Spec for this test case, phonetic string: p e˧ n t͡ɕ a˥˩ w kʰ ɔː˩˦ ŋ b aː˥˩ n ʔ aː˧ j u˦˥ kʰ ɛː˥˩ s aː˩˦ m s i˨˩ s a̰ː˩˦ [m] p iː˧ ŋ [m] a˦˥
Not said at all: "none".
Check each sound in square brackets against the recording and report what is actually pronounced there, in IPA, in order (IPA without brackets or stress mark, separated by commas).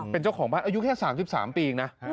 m, n